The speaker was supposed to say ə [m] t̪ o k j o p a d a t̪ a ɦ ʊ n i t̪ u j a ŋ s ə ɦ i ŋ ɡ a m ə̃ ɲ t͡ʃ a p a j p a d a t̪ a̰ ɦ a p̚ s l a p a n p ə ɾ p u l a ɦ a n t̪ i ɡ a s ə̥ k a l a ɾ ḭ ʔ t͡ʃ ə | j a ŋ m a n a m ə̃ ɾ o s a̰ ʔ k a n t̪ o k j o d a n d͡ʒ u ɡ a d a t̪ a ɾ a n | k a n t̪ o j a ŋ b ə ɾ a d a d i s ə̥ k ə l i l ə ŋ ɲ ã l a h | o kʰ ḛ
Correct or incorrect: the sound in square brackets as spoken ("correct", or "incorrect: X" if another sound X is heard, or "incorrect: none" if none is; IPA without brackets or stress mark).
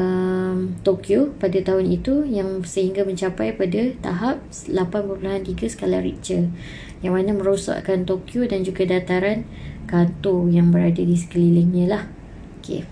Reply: correct